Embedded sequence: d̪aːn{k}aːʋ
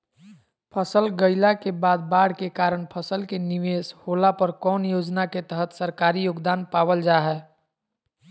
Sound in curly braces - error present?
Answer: yes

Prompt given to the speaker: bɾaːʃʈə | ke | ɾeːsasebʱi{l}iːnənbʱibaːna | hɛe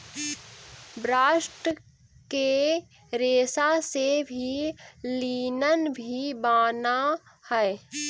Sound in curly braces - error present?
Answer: no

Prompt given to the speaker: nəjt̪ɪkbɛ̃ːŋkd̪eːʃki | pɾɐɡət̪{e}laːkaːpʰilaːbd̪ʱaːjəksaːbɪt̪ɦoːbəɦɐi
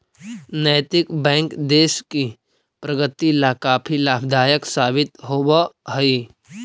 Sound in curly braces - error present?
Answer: yes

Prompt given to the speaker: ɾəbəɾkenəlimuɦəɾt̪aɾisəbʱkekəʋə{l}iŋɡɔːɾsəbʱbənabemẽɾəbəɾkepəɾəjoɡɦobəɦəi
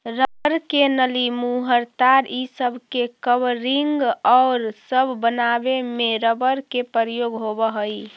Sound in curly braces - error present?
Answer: yes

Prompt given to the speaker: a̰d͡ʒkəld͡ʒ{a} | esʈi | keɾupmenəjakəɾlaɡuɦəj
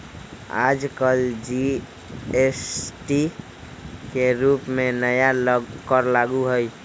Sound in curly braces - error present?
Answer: yes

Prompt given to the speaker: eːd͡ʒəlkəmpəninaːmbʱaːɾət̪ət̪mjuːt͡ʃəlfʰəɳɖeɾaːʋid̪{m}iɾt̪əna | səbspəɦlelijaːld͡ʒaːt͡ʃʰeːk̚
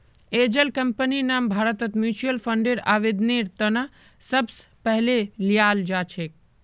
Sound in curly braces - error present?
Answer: yes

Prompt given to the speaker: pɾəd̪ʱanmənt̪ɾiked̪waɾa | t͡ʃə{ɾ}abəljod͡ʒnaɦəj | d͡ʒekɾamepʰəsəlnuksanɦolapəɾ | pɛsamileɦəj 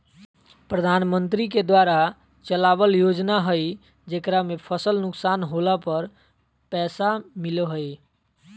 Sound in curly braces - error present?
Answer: yes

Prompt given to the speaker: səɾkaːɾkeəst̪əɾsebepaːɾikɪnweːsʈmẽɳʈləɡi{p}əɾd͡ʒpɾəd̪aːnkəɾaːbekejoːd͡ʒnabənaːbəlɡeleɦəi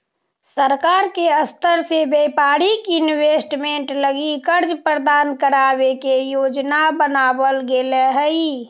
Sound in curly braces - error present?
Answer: yes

